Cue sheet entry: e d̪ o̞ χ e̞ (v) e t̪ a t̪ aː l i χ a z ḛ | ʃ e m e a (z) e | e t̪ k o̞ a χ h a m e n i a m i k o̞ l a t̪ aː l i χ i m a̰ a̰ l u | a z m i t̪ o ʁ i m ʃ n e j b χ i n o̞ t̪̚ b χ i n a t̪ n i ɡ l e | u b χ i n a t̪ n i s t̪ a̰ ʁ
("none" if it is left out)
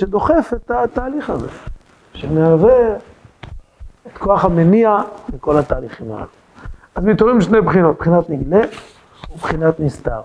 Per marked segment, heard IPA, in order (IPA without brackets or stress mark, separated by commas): f, v